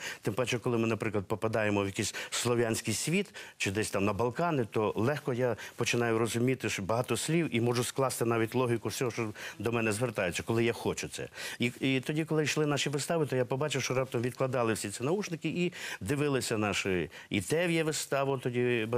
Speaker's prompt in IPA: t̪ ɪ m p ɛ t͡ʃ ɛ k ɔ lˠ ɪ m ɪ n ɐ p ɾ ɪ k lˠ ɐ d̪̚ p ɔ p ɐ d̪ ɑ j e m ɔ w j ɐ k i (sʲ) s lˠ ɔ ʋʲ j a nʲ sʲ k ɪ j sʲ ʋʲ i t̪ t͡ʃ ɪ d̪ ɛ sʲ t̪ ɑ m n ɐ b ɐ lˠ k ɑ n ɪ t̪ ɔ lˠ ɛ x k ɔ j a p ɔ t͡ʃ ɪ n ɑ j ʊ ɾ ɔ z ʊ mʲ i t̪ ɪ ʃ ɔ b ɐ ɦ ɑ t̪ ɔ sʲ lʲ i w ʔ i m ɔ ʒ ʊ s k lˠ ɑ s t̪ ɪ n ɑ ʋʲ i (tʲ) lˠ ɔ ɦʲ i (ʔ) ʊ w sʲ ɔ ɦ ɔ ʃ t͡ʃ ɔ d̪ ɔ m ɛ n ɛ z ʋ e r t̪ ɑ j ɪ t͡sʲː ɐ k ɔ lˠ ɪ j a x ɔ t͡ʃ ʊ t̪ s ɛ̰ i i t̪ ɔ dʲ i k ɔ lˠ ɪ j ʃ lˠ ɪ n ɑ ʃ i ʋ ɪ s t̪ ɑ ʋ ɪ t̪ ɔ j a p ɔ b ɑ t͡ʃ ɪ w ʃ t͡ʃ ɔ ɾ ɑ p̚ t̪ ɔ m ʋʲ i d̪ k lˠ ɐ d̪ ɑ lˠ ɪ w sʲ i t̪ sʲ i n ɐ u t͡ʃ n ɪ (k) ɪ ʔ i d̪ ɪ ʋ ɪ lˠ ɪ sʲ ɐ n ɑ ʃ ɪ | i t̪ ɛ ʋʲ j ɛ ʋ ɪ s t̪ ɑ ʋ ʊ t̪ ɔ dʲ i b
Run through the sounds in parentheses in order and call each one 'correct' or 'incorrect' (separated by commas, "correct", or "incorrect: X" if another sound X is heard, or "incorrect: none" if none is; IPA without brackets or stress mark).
correct, correct, incorrect: k, correct